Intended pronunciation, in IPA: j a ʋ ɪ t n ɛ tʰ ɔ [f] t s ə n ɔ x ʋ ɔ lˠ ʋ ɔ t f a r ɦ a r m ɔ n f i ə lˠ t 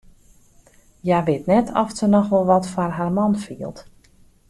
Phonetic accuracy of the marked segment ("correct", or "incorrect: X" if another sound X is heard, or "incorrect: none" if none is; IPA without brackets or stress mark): correct